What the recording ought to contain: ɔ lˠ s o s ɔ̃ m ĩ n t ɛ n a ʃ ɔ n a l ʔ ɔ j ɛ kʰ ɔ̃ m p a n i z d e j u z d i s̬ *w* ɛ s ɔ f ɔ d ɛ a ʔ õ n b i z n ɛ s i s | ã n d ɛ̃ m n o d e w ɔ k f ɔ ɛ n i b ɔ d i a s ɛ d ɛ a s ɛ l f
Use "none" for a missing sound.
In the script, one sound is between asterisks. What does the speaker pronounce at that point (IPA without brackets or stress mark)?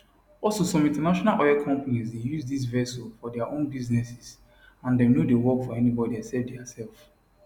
v